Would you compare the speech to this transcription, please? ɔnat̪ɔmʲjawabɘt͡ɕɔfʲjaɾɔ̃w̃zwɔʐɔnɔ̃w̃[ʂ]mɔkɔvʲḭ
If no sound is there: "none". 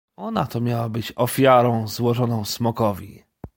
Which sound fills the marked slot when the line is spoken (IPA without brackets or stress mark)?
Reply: s